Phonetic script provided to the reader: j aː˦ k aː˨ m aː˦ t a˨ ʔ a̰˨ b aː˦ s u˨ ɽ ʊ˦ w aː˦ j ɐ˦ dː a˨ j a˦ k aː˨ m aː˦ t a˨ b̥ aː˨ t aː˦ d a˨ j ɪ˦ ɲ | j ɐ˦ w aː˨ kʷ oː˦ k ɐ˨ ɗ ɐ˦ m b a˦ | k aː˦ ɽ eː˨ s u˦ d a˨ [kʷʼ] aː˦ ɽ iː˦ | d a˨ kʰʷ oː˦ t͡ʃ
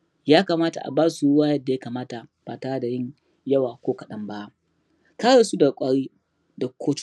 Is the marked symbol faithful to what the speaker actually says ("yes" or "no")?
yes